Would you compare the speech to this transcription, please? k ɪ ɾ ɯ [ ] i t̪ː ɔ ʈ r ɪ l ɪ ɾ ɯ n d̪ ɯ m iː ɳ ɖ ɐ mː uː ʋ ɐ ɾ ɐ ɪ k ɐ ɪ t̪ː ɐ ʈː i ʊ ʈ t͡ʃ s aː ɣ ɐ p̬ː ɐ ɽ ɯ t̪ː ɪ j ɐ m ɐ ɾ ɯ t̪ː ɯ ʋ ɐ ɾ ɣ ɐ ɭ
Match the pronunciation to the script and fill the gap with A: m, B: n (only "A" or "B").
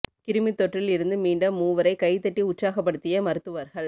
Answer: A